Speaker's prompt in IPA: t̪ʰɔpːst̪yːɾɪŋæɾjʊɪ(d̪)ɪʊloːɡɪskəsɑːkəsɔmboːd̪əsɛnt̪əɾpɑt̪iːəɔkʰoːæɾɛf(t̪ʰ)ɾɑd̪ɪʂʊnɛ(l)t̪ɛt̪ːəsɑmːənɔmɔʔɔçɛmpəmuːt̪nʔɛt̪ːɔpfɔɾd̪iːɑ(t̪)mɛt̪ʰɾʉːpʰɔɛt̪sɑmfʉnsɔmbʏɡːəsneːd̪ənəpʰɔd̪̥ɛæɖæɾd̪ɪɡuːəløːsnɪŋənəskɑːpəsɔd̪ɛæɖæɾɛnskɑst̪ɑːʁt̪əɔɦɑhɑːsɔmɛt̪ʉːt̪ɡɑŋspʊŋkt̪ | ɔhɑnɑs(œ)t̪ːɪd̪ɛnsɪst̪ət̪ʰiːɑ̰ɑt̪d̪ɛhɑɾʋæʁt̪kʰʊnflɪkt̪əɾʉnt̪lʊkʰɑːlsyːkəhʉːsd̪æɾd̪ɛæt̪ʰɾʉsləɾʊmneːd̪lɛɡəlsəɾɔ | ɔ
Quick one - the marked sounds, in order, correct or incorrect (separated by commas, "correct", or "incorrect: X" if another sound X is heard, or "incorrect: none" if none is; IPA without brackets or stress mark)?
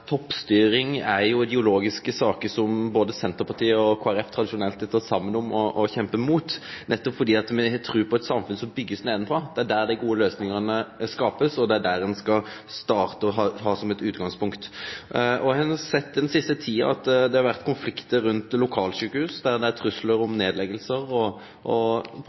correct, correct, correct, correct, incorrect: ɛ